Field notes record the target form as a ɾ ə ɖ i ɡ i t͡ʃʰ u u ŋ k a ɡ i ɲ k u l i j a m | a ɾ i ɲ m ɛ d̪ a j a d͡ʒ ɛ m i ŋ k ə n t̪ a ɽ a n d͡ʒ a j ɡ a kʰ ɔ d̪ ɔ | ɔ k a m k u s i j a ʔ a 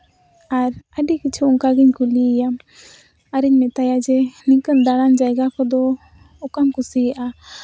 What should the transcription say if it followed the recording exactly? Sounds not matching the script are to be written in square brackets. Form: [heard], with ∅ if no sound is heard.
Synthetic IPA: a ɾ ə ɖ i [k] i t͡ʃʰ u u ŋ k a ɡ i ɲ k u l i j a m | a ɾ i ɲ m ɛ [t̪] a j a d͡ʒ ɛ [n] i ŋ k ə n [d̪] a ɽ a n d͡ʒ a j ɡ a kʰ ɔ d̪ ɔ | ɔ k a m k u s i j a ʔ a

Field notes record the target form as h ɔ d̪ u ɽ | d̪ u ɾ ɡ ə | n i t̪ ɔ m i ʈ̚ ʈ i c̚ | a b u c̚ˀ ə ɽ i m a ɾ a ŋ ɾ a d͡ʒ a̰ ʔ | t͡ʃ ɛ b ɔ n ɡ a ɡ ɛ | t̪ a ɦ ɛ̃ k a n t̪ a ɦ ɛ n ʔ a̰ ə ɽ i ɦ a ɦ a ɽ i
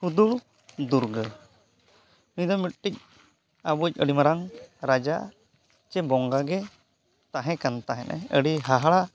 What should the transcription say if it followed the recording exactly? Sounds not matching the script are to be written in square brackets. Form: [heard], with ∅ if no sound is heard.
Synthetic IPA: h [u] d̪ u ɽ | d̪ u ɾ ɡ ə | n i [d̪] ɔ m i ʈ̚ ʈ i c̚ | a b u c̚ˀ ə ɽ i m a ɾ a ŋ ɾ a d͡ʒ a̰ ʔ | t͡ʃ ɛ b ɔ [ŋ] ɡ a ɡ ɛ | t̪ a ɦ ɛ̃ k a n t̪ a ɦ ɛ n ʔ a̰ ə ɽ i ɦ a ɦ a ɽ [a]

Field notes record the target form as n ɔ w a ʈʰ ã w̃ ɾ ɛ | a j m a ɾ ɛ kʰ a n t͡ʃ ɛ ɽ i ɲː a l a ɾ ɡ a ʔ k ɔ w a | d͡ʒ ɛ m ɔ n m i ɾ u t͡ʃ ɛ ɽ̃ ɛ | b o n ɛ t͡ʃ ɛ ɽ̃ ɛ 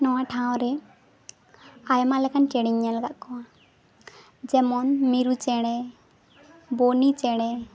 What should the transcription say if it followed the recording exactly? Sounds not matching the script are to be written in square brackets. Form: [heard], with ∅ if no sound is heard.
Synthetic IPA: n ɔ w a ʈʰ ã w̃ ɾ ɛ | a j m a [l] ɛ [k] a n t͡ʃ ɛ ɽ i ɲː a l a [∅] ɡ a ʔ k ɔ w a | d͡ʒ ɛ m ɔ n m i ɾ u t͡ʃ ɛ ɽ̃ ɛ | b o n [i] t͡ʃ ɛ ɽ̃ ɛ

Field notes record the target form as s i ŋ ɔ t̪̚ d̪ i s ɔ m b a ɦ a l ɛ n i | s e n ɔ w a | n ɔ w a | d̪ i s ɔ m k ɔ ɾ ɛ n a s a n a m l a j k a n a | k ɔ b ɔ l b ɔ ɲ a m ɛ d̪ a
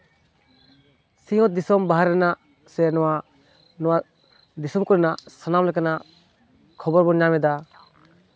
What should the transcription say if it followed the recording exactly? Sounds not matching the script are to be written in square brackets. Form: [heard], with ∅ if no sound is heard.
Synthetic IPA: s i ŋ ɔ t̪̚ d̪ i s ɔ m b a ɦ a [ɾ] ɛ n [a] | s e n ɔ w a | n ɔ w a | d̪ i s ɔ m k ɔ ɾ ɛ n a s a n a m l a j k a n a | [kʰ] ɔ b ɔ [ɾ] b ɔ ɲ a m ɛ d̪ a

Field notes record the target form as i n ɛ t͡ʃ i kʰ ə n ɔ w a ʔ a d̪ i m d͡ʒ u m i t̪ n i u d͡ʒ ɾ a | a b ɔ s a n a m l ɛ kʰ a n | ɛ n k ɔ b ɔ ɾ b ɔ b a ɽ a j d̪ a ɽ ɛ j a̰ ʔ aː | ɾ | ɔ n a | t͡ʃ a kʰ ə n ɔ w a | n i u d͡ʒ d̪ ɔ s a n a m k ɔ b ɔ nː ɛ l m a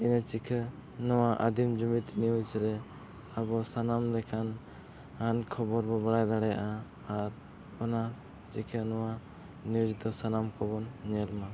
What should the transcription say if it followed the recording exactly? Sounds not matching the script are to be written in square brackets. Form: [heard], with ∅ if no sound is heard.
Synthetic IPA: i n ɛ t͡ʃ i kʰ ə n ɔ w a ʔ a d̪ i m d͡ʒ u m i t̪ n i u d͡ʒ ɾ [ɛ] | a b ɔ s a n a m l ɛ kʰ a n | [a] n [kʰ] ɔ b ɔ ɾ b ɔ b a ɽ a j d̪ a ɽ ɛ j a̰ ʔ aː | ɾ | ɔ n a | t͡ʃ [i] kʰ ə n ɔ w a | n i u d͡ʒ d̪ ɔ s a n a m k ɔ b ɔ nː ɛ l m a

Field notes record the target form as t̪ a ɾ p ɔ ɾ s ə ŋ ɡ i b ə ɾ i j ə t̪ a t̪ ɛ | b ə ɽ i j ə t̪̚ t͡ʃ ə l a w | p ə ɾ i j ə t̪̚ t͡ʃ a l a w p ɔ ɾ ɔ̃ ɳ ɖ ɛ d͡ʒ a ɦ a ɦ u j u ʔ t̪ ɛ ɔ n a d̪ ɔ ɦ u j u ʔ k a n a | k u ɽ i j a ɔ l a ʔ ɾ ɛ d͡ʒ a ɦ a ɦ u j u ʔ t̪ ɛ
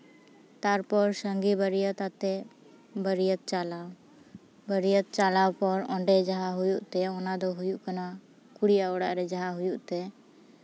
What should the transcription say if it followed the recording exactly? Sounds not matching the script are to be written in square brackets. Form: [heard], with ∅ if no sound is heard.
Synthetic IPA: t̪ a ɾ p ɔ ɾ s ə ŋ ɡ i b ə ɾ i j ə t̪ a t̪ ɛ | b ə [ɾ] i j ə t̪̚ t͡ʃ [a] l a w | [b] ə ɾ i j ə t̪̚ t͡ʃ a l a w p ɔ ɾ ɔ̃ ɳ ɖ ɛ d͡ʒ a ɦ a ɦ u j u ʔ t̪ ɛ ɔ n a d̪ ɔ ɦ u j u ʔ k a n a | k u ɽ i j a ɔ [ɽ] a ʔ ɾ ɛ d͡ʒ a ɦ a ɦ u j u ʔ t̪ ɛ

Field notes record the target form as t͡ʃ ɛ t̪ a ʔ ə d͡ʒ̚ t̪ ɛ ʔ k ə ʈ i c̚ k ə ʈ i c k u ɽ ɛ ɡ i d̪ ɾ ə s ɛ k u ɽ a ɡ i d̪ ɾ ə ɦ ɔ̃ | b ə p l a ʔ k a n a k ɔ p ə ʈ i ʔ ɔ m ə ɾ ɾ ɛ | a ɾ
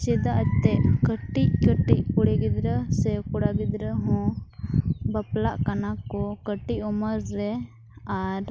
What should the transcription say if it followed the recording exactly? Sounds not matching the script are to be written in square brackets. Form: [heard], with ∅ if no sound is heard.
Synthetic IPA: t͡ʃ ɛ [d̪] a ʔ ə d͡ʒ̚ t̪ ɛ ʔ k ə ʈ i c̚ k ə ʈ i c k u ɽ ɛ ɡ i d̪ ɾ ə s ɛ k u ɽ a ɡ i d̪ ɾ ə ɦ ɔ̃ | b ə p l a ʔ k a n a k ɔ [k] ə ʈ i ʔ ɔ m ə ɾ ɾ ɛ | a ɾ

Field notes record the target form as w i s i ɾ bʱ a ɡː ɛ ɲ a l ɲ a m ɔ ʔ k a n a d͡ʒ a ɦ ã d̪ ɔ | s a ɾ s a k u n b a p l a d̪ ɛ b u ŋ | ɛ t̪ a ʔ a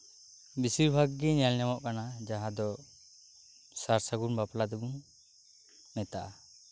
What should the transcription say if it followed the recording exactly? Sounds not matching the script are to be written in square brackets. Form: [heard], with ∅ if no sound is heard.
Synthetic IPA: [b] i s i ɾ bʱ a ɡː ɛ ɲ a l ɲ a m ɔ ʔ k a n a d͡ʒ a ɦ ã d̪ ɔ | s a ɾ s a [ɡ] u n b a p l a d̪ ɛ b u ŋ | ɛ t̪ a ʔ a

